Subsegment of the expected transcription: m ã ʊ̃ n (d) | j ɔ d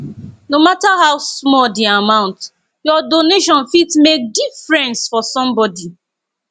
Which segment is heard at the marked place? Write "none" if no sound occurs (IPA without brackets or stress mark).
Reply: t